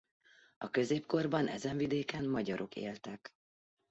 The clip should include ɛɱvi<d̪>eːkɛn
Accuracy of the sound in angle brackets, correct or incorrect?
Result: correct